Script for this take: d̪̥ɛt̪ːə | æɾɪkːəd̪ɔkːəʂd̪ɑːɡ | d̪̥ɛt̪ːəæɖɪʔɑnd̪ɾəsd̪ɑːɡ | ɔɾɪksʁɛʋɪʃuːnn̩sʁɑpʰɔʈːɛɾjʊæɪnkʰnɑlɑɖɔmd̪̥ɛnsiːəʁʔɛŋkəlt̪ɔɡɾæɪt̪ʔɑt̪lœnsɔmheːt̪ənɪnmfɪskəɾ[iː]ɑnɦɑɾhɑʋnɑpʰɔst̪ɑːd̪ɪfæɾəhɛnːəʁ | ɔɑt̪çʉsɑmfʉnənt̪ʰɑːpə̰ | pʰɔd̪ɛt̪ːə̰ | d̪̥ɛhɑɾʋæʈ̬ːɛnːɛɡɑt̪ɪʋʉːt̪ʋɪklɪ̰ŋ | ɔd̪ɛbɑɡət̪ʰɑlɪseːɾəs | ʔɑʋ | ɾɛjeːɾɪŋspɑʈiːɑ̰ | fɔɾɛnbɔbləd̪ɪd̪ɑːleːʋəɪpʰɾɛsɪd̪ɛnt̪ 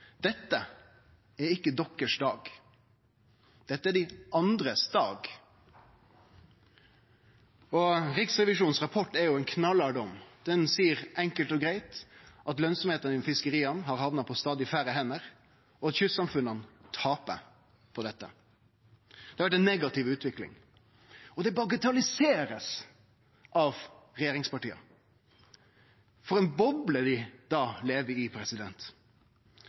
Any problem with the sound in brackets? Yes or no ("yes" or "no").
no